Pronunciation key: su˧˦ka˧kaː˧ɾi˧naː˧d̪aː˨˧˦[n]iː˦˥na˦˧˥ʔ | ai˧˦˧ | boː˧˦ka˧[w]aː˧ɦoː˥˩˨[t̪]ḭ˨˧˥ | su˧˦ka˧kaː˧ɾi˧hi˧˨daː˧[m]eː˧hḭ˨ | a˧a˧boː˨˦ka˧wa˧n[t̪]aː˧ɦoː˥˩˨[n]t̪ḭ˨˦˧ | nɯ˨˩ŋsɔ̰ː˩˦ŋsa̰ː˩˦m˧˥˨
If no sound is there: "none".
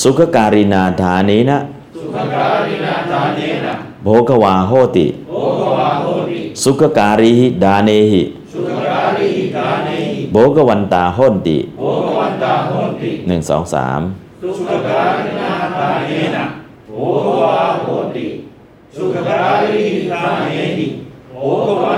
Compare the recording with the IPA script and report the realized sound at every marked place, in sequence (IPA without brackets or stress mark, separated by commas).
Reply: n, w, t̪, n, t̪, n